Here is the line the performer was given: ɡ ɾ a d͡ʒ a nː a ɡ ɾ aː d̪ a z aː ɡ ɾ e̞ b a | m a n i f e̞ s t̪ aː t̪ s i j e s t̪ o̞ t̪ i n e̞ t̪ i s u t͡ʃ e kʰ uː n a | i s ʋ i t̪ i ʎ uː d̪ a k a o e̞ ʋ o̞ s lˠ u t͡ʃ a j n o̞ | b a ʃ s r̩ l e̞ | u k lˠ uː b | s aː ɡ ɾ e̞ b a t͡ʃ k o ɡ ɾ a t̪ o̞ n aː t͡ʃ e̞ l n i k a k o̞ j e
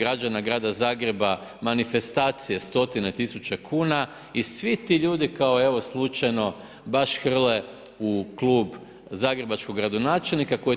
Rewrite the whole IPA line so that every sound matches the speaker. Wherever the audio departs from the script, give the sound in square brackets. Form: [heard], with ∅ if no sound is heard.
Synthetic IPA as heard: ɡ ɾ a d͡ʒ a [n] a ɡ ɾ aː d̪ a z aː ɡ ɾ e̞ b a | m a n i f e̞ s t̪ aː t̪ s i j e s t̪ o̞ t̪ i n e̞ t̪ i s u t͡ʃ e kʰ uː n a | i s ʋ i t̪ i ʎ uː d̪ [i] k a o e̞ ʋ o̞ s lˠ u t͡ʃ a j n o̞ | b a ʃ [x] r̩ l e̞ | u k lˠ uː b | [z] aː ɡ ɾ e̞ b a t͡ʃ k o ɡ ɾ a [d̪] o̞ n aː t͡ʃ e̞ l n i k a k o̞ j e